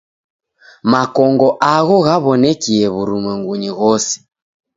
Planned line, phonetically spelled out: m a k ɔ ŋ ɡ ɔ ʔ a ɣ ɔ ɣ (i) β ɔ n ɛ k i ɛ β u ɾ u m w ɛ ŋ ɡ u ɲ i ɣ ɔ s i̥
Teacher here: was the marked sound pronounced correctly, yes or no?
no